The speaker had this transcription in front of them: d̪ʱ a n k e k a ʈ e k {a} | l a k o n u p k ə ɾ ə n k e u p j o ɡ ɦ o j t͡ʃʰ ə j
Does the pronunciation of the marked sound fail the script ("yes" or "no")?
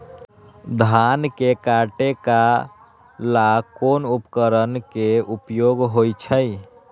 no